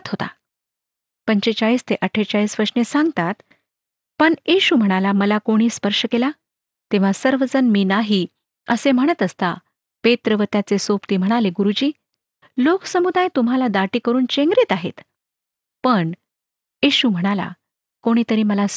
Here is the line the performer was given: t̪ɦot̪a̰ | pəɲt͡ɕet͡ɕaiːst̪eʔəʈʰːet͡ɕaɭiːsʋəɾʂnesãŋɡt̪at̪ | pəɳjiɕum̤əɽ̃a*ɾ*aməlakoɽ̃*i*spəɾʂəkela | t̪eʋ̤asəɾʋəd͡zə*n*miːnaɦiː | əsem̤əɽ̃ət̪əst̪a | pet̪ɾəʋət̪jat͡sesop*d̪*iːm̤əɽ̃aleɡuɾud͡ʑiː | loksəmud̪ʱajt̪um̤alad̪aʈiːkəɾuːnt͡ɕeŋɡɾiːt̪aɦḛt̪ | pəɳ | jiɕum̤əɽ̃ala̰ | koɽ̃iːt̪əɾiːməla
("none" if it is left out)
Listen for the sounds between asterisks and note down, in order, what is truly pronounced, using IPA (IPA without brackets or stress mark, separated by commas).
l, iː, n, t̪